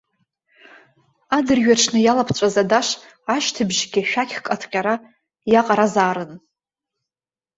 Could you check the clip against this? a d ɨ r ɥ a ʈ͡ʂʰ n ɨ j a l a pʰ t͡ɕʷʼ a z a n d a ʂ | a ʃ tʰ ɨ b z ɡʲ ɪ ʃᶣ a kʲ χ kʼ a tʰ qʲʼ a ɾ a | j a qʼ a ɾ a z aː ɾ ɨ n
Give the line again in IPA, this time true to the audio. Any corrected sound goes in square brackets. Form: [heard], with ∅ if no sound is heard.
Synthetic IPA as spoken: a d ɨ r ɥ a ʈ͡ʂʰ n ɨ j a l a pʰ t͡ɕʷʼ a z a [∅] d a ʂ | a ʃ tʰ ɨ b [ʒ] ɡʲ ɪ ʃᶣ a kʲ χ kʼ a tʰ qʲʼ a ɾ a | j a qʼ a ɾ a z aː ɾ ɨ n

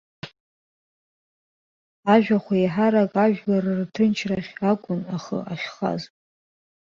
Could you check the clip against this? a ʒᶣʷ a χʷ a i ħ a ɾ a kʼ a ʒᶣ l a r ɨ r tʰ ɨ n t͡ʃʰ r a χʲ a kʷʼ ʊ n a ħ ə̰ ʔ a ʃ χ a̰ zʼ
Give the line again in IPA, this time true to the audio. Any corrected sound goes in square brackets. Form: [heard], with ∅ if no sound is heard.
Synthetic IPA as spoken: a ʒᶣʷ a χʷ a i ħ a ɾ a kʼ a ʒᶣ l a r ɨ r tʰ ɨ n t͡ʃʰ r a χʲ a kʷʼ ʊ n a [χ] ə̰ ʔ a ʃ χ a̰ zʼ

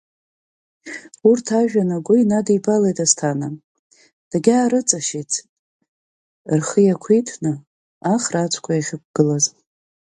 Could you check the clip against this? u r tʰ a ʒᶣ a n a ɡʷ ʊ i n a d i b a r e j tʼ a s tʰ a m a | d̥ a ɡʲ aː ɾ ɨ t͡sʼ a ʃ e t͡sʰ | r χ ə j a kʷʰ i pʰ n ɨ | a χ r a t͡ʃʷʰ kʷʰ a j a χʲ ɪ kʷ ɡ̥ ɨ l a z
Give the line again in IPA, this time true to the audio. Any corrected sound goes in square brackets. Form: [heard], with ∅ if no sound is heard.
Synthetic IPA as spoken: u r tʰ a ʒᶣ a n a ɡʷ ʊ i n a d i b a [l] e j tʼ a s tʰ a [n] a | d̥ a ɡʲ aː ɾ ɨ t͡sʼ a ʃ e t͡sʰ | r χ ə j a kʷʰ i [tʰ] n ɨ | a χ r a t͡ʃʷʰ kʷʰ a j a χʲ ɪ kʷ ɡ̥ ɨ l a z

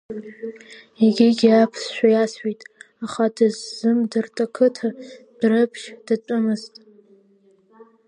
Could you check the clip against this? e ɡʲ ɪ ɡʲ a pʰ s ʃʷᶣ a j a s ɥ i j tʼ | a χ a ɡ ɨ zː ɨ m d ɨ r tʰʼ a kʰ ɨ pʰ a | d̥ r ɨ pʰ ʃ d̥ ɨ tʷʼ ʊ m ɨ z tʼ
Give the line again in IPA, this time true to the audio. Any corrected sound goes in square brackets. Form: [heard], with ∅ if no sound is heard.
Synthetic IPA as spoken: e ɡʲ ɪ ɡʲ a pʰ s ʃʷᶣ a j a s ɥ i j tʼ | a χ a [d] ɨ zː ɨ m d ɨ r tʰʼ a kʰ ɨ [tʰ] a | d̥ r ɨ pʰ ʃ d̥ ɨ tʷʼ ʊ m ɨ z tʼ

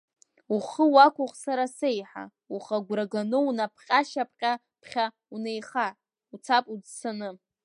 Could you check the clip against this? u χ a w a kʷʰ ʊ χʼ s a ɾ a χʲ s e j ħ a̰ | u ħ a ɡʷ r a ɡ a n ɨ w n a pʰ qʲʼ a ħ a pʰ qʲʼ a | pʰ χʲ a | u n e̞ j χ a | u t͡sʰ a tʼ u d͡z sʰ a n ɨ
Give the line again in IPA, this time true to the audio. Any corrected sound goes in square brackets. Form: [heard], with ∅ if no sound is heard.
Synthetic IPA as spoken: u χ [ə] w a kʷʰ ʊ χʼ s a ɾ a [∅] s e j ħ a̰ | u [χ] a ɡʷ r a ɡ a n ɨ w n a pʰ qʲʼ a [ʃ] a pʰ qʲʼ a | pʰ χʲ a | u n e̞ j χ a | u t͡sʰ a [pʼ] u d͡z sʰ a n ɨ

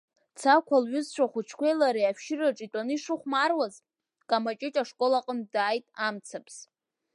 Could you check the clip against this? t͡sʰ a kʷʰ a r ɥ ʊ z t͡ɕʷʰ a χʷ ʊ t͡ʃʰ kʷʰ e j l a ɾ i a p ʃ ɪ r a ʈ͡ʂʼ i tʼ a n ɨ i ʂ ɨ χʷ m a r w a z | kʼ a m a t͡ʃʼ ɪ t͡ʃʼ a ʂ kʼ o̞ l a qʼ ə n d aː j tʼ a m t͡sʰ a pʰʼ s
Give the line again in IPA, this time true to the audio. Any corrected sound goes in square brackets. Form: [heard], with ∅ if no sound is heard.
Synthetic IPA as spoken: t͡sʰ a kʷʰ a [l] ɥ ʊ z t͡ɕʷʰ a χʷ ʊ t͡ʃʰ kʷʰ e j l a ɾ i a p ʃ ɪ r a ʈ͡ʂʼ i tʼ a n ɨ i ʂ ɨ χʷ m a r w a z | kʼ a m a t͡ʃʼ ɪ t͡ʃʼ a ʂ kʼ o̞ l a qʼ ə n d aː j tʼ a m t͡sʰ a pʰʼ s

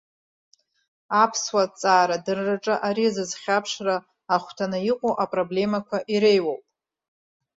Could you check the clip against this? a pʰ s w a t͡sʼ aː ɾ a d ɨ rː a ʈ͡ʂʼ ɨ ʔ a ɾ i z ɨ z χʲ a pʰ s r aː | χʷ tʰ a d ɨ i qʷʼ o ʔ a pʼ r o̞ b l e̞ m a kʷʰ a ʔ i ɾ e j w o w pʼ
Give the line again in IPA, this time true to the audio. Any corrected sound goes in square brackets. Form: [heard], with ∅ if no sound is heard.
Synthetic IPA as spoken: a pʰ s w a t͡sʼ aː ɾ a d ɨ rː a ʈ͡ʂʼ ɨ ʔ a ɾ i z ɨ z χʲ a pʰ [ʂ] r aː | χʷ tʰ a [n] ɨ i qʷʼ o ʔ a pʼ r o̞ b l e̞ m a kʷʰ a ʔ i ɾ e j w o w pʼ

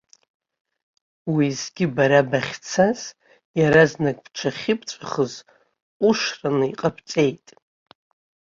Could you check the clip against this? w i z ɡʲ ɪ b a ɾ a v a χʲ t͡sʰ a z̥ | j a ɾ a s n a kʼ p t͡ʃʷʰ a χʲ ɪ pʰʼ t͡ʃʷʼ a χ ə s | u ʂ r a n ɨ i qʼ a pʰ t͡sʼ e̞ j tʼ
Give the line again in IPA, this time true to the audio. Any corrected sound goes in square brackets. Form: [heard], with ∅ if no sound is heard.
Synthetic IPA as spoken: w i z ɡʲ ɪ b a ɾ a [b] a χʲ t͡sʰ a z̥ | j a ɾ a [z] n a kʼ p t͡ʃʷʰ a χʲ ɪ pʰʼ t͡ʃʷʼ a χ ə [z] | u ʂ r a n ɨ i qʼ a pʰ t͡sʼ e̞ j tʼ

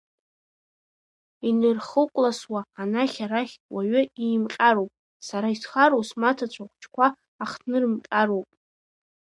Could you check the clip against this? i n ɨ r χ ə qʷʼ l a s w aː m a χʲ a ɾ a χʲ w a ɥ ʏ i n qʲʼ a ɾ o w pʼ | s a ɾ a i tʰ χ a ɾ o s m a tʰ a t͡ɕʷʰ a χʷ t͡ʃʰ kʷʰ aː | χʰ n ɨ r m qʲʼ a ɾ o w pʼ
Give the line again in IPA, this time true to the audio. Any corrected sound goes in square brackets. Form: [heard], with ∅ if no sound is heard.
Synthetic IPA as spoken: i n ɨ r χ ə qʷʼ l a s w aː [n] a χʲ a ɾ a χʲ w a ɥ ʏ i [m] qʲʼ a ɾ o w pʼ | s a ɾ a i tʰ χ a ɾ o s m a tʰ a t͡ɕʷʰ a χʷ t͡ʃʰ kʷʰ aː | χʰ n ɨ r m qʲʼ a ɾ o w pʼ

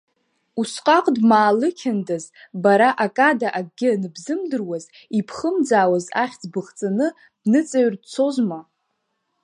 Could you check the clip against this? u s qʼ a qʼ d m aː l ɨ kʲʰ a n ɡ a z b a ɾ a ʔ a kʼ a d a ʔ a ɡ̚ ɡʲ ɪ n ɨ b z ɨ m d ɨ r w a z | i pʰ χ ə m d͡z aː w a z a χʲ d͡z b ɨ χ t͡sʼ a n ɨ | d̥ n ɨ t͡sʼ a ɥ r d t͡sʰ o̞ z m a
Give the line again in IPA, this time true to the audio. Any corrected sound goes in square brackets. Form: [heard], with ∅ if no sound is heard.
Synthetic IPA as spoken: u s qʼ a qʼ d m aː l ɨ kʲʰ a n [d] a z b a ɾ a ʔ a kʼ a d a ʔ a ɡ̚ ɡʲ ɪ n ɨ b z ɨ m d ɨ r w a z | i pʰ χ ə m d͡z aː w a z a χʲ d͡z b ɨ χ t͡sʼ a n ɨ | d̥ n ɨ t͡sʼ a ɥ r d t͡sʰ o̞ z m a

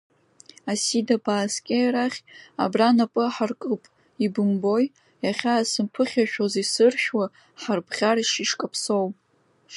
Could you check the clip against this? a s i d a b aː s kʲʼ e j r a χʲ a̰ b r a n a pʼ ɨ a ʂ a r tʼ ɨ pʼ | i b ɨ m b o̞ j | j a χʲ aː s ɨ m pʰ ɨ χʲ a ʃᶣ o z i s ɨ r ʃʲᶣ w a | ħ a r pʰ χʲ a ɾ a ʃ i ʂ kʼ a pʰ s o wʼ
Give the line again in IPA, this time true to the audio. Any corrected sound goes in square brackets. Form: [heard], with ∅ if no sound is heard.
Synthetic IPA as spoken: a s i d a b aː s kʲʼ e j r a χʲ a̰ b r a n a pʼ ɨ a [ħ] a r [kʼ] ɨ pʼ | i b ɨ m b o̞ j | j a χʲ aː s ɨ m pʰ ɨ χʲ a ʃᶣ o z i s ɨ r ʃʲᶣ w a | ħ a r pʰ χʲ a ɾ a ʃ i ʂ kʼ a pʰ s o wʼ

